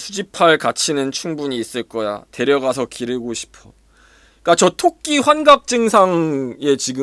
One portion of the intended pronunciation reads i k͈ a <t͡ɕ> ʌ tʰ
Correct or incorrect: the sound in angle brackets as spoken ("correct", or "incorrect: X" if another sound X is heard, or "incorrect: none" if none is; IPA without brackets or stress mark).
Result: correct